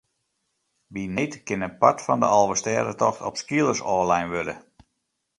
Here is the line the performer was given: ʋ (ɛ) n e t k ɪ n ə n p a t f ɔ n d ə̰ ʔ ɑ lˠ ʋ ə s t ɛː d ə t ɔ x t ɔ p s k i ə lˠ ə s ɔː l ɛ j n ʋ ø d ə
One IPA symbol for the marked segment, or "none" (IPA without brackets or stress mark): i